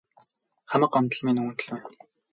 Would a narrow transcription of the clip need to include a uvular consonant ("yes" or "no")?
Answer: yes